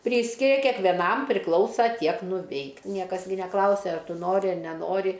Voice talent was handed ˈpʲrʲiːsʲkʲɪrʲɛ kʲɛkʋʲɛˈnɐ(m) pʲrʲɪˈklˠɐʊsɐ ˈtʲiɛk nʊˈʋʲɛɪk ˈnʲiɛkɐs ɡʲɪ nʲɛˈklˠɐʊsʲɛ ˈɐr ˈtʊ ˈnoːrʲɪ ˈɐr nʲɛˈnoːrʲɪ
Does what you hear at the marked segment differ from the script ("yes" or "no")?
no